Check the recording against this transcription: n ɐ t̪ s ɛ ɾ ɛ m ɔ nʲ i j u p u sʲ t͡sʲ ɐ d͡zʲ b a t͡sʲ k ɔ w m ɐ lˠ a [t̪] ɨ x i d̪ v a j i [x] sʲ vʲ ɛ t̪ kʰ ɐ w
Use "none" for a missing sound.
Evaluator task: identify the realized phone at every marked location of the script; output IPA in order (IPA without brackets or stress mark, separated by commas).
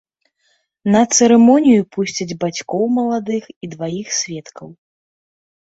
d̪, x